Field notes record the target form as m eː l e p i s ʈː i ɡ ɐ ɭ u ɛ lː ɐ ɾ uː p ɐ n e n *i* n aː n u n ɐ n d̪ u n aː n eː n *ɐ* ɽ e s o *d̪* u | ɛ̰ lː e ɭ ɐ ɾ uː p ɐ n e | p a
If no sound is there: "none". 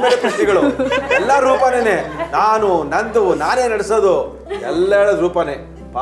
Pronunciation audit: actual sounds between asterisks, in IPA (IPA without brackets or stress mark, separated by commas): e, ɐ, d̪